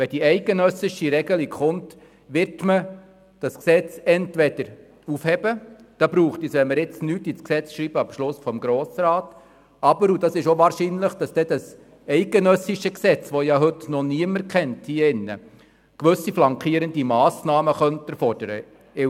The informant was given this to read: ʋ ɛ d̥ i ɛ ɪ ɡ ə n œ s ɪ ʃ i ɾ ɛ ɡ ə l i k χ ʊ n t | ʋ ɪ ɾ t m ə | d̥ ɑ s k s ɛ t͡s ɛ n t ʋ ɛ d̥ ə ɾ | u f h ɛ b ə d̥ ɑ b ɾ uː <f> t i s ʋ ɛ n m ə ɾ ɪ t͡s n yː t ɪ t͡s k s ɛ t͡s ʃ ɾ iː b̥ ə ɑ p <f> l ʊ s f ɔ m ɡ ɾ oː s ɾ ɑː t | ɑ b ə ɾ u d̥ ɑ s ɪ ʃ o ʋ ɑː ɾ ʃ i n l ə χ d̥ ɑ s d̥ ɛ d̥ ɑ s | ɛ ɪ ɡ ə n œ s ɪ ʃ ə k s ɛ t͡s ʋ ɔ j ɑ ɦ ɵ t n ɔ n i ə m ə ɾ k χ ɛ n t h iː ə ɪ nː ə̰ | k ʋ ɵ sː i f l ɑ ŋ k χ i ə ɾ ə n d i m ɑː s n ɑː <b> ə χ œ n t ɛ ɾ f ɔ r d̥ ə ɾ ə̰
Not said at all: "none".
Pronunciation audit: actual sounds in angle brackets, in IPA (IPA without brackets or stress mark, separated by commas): χ, ʃ, m